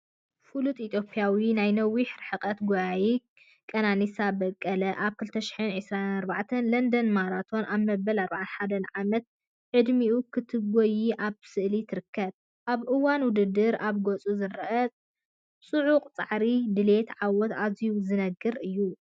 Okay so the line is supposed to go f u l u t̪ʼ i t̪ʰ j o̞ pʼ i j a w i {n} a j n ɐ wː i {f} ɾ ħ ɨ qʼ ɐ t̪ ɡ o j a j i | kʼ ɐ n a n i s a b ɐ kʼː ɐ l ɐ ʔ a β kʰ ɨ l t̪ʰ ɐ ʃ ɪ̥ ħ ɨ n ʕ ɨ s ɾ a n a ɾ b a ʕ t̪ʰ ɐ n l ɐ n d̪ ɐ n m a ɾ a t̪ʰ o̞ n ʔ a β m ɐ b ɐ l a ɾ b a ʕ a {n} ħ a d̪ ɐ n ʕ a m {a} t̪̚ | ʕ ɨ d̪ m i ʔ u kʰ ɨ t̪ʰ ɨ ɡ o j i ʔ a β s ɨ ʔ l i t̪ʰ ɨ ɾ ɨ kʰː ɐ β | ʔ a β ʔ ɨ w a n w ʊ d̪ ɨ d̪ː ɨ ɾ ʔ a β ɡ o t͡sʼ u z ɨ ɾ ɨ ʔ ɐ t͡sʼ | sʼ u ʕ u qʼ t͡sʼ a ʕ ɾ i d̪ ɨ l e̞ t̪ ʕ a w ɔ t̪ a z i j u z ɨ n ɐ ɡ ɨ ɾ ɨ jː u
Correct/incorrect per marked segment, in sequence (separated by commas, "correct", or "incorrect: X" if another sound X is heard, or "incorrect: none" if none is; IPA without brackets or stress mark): correct, incorrect: ħ, correct, incorrect: ɐ